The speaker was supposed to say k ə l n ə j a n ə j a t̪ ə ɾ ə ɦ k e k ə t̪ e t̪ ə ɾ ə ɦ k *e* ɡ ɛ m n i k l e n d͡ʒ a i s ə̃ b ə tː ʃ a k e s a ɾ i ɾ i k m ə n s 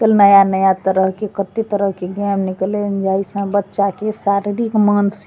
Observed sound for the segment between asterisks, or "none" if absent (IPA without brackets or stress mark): e